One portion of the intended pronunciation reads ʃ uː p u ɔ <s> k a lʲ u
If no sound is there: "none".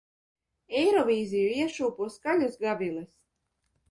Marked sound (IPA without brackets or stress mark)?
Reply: s